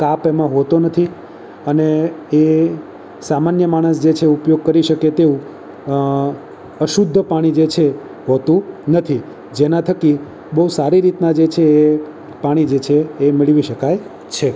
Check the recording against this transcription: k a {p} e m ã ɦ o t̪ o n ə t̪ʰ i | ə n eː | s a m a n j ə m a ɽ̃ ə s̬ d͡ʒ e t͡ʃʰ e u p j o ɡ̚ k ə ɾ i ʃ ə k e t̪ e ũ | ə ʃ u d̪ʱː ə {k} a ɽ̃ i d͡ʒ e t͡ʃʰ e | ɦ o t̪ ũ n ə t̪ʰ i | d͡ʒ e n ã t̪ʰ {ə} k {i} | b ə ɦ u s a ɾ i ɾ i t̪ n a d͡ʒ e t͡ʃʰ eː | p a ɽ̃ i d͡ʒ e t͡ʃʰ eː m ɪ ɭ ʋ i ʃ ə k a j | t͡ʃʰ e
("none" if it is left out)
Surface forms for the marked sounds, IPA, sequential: p, p, ə, i

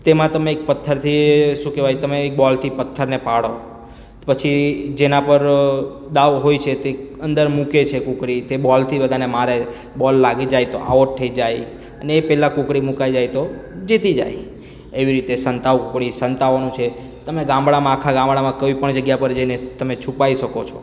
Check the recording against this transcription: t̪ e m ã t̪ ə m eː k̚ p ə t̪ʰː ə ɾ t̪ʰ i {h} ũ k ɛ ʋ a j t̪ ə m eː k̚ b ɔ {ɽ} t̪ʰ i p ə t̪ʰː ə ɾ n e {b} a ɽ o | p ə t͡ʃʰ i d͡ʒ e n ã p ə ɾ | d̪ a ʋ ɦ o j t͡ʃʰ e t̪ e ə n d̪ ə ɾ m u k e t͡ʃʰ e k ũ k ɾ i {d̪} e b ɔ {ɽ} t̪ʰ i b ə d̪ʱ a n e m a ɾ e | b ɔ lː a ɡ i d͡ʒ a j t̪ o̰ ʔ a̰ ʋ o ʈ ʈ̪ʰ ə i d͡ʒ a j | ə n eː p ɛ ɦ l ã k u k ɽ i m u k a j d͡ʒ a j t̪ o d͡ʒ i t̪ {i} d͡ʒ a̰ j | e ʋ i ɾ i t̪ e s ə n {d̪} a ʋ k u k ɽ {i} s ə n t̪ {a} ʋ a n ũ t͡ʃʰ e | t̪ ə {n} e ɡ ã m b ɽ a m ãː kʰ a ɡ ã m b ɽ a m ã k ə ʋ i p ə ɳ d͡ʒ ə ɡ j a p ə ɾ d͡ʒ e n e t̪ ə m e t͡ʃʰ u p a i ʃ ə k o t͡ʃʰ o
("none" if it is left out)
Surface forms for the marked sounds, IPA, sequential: ʃ, l, p, t̪, l, i, t̪, i, a, m

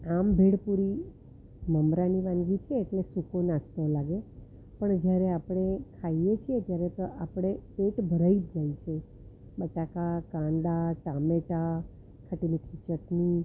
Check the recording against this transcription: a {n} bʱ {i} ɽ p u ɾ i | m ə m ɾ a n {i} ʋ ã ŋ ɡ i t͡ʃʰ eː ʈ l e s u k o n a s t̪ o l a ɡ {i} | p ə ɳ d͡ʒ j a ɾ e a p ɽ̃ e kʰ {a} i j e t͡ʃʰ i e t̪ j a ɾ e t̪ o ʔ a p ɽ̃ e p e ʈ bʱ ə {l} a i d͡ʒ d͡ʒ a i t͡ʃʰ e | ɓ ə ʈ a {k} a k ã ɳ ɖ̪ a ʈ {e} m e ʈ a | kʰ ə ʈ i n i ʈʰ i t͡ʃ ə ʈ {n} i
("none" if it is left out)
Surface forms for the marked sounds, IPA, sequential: m, e, i, e, a, ɾ, k, a, n

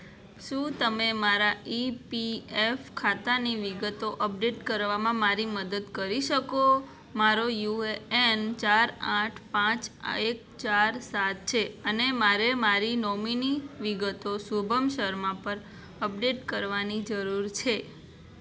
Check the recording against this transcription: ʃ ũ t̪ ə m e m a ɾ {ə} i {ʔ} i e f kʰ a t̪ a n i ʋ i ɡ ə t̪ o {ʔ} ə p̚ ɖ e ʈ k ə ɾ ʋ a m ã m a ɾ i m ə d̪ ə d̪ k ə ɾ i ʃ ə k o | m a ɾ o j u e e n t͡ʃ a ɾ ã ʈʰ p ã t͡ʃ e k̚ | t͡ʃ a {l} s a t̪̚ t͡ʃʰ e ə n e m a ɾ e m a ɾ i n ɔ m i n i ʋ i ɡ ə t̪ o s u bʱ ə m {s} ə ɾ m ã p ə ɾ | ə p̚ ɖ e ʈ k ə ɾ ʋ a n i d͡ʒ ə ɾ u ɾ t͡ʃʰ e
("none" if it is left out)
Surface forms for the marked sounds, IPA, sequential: a, p, ʔ, ɾ, ʃ

